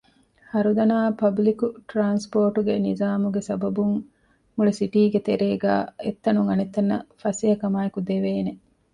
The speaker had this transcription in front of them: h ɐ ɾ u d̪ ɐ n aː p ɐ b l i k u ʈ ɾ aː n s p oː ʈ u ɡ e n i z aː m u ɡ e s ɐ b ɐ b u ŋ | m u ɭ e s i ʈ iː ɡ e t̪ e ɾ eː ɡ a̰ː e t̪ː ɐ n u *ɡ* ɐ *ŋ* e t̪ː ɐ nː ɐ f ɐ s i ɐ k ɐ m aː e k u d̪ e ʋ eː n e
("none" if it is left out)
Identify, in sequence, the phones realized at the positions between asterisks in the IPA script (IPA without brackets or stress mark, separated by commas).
ŋ, n